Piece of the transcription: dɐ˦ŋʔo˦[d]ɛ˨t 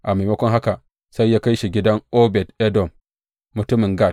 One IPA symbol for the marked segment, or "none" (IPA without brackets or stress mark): b